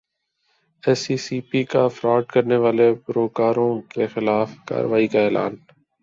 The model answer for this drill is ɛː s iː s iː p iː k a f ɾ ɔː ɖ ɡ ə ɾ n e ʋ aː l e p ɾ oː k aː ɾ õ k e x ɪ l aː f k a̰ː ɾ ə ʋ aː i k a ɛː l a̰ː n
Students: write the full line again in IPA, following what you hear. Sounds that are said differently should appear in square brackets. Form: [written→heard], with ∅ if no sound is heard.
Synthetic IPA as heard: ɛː s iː s iː p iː k a f ɾ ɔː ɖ [ɡ→k] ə ɾ n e ʋ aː l e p ɾ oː k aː ɾ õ k e x ɪ l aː f k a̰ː ɾ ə ʋ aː i k a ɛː l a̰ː n